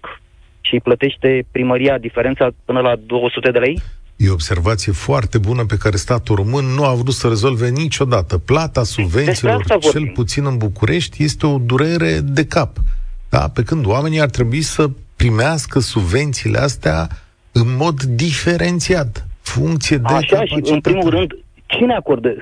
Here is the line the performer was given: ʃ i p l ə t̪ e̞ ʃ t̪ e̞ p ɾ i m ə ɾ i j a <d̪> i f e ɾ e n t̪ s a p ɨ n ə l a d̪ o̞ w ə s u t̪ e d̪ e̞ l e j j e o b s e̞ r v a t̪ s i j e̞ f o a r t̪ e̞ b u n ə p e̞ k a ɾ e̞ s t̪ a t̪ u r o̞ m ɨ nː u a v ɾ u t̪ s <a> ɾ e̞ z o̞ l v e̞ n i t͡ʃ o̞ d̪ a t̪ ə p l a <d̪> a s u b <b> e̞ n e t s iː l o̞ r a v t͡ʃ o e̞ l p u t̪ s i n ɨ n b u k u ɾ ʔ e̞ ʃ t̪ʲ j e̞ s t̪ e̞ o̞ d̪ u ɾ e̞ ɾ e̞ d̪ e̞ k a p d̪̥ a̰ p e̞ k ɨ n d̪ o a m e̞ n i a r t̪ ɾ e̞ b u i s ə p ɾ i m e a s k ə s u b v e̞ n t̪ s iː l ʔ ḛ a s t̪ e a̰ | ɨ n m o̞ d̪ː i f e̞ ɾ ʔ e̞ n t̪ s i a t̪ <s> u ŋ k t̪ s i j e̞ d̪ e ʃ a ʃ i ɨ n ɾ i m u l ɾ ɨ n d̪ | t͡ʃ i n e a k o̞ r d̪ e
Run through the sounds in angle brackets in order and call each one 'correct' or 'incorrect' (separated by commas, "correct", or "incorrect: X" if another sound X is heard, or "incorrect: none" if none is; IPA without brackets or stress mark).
correct, incorrect: ə, incorrect: t̪, incorrect: v, incorrect: f